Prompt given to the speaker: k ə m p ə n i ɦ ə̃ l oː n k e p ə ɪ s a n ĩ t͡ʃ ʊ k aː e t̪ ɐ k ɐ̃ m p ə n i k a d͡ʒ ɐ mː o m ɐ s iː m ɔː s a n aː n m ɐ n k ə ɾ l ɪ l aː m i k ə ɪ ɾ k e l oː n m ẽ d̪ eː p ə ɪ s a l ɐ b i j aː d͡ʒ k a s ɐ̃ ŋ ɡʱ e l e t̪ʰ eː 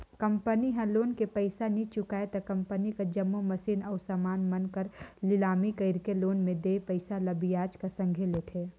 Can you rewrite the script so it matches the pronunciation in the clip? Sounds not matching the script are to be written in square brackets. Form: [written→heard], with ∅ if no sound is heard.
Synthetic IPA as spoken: k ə m p ə n i ɦ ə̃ l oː n k e p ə ɪ s a n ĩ t͡ʃ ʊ k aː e t̪ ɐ k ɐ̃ m p ə n i k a d͡ʒ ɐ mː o m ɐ s iː [m→n] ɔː s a [n→m] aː n m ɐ n k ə ɾ l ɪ l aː m i k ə ɪ ɾ k e l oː n m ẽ d̪ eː p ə ɪ s a l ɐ b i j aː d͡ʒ k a s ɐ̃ ŋ ɡʱ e l e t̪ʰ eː